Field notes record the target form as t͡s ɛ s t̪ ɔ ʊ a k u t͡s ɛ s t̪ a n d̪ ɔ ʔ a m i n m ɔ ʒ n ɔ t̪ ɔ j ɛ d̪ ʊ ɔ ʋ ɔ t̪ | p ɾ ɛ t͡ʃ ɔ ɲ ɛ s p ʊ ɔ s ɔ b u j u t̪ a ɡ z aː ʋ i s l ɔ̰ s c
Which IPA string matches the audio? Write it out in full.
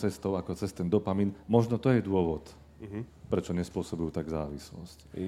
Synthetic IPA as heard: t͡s ɛ s t̪ ɔ ʊ a k ɔ t͡s ɛ s t̪ ɛ n d̪ ɔ p a m i n m ɔ ʒ n ɔ t̪ ɔ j ɛ d̪ ʊ ɔ ʋ ɔ t̪ | p ɾ ɛ t͡ʃ ɔ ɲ ɛ s p ʊ ɔ s ɔ b u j u t̪ a ɡ z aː ʋ i s l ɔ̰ s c